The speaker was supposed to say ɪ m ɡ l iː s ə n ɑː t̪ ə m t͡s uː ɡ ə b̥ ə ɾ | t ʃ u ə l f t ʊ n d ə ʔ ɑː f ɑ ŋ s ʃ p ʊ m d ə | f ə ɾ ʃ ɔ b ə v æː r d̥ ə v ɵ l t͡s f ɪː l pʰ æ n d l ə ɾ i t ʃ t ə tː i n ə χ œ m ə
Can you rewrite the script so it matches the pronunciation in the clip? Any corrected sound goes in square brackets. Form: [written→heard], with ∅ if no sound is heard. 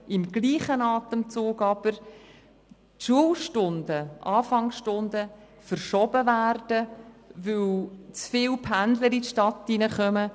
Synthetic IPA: ɪ m ɡ l iː [s→χ] ə n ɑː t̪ ə m t͡s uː ɡ [ə→ɑ] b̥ ə ɾ | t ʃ u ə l [f→ʃ] t ʊ n d ə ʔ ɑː f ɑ ŋ s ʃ [p→t] ʊ [m→n] d ə | f ə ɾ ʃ ɔ b ə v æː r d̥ ə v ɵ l t͡s f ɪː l pʰ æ n d l ə ɾ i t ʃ t [ə→ɑ] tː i n ə χ œ m ə